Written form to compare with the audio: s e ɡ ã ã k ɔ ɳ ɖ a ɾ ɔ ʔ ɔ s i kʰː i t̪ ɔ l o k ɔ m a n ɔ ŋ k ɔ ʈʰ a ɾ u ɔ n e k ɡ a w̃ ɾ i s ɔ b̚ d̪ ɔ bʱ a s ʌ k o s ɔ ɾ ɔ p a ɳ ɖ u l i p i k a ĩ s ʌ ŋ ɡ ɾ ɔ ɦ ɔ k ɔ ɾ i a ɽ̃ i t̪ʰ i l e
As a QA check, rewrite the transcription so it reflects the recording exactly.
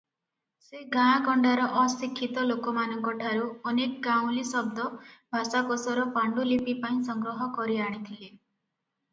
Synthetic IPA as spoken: s e ɡ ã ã k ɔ ɳ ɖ a ɾ ɔ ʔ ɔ s i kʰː i t̪ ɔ l o k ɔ m a n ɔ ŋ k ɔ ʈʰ a ɾ u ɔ n e k ɡ a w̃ l i s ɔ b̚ d̪ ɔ bʱ a s a k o s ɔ ɾ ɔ p a ɳ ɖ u l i p i p a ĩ s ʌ ŋ ɡ ɾ ɔ ɦ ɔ k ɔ ɾ i a ɽ̃ i t̪ʰ i l e